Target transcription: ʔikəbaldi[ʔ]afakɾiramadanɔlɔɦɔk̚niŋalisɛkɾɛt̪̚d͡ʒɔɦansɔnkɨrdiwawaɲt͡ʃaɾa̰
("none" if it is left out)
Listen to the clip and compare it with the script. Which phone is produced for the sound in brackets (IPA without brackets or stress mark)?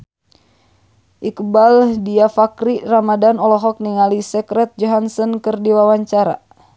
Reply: none